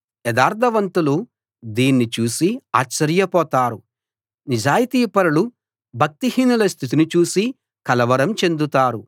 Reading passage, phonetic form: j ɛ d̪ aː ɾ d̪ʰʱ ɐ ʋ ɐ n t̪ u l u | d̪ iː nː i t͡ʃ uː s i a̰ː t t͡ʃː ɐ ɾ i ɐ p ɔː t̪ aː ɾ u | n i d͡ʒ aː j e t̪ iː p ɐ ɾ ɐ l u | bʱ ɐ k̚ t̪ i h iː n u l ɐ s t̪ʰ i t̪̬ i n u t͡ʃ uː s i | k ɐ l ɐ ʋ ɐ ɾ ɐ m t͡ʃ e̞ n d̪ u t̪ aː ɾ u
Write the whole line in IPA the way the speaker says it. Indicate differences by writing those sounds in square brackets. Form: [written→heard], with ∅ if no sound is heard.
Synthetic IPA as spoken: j ɛ d̪ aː ɾ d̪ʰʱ ɐ ʋ ɐ n t̪ u l u | d̪ iː nː i t͡ʃ uː s i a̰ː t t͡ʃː ɐ ɾ [i→j] ɐ p ɔː t̪ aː ɾ u | n i d͡ʒ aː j [e→i] t̪ iː p ɐ ɾ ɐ l u | bʱ ɐ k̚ t̪ i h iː n u l ɐ s t̪ʰ i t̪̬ i n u t͡ʃ uː s i | k ɐ l ɐ ʋ ɐ ɾ ɐ m t͡ʃ e̞ n d̪ u t̪ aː ɾ u